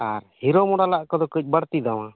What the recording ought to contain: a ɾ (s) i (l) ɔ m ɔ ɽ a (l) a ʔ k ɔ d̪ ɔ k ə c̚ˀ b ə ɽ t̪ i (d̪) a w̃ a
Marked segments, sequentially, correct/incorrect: incorrect: h, incorrect: ɾ, correct, correct

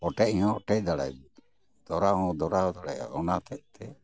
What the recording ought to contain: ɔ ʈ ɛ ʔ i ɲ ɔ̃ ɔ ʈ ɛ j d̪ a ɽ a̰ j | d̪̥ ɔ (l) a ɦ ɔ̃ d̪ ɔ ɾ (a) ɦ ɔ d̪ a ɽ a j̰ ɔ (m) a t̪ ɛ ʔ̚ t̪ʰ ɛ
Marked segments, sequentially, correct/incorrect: incorrect: ɾ, correct, incorrect: n

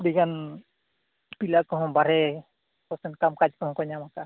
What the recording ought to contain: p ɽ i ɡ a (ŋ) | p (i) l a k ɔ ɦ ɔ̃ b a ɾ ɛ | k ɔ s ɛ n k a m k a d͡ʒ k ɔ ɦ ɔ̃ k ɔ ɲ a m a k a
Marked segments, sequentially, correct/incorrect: incorrect: n, correct

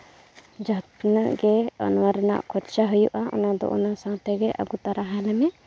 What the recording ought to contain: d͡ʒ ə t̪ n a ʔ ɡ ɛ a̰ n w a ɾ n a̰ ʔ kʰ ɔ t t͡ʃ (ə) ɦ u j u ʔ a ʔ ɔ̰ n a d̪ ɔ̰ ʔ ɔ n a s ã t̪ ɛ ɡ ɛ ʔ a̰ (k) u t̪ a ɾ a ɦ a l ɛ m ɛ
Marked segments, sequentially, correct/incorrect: incorrect: a, incorrect: ɡ

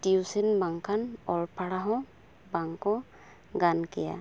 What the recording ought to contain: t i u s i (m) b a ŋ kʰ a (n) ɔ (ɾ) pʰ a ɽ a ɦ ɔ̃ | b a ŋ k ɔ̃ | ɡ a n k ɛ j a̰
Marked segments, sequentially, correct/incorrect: incorrect: n, correct, incorrect: l

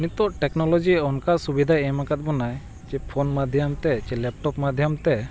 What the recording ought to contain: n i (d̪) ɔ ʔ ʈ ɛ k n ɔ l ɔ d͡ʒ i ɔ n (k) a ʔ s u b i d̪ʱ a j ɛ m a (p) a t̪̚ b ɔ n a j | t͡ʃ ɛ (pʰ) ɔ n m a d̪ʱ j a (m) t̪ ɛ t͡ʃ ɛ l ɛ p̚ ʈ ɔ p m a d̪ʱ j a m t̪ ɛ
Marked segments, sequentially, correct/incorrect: incorrect: t̪, correct, incorrect: k, correct, correct

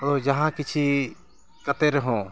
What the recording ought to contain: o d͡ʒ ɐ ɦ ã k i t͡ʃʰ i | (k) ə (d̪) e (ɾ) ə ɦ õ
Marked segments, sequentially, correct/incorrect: correct, incorrect: t̪, correct

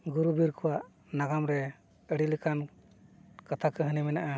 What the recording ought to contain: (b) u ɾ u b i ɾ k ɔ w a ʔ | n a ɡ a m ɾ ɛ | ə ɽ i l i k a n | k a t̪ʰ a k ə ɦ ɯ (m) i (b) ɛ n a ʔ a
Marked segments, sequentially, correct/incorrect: incorrect: ɡ, incorrect: n, incorrect: m

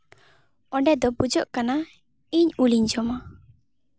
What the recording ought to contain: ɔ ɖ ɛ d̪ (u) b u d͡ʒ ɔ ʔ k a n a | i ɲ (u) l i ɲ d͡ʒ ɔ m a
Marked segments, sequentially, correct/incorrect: incorrect: ɔ, correct

